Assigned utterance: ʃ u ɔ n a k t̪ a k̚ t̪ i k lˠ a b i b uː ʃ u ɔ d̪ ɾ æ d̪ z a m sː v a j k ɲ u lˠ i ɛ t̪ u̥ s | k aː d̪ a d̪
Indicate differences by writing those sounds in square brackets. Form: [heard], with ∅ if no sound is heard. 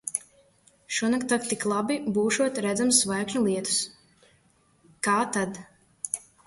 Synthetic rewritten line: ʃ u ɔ n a k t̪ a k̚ t̪ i k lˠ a b i b uː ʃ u ɔ [t̪] ɾ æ d̪ z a m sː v a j k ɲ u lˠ i ɛ t̪ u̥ s | k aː [t̪] a d̪